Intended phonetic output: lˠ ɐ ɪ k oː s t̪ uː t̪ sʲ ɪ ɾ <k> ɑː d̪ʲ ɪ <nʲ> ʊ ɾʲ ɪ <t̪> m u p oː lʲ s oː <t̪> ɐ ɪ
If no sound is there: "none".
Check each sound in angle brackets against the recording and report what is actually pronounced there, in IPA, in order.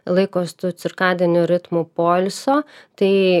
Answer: k, nʲ, t̪, t̪

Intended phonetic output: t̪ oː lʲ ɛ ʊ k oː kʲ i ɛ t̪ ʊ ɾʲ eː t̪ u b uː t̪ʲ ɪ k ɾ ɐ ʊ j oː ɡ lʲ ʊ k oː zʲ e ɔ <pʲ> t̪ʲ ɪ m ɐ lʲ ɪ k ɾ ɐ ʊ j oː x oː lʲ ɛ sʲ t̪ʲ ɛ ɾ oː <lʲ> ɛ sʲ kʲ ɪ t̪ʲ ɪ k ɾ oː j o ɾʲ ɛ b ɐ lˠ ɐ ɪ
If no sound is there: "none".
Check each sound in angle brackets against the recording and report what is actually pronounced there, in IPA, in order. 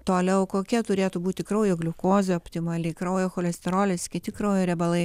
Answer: pʲ, lʲ

